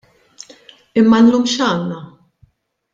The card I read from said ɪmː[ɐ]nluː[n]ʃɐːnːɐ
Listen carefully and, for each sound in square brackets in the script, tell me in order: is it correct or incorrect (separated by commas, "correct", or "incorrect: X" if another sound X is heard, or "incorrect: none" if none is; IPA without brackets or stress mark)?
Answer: correct, incorrect: m